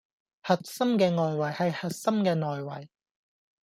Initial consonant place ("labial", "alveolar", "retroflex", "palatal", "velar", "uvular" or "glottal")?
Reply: glottal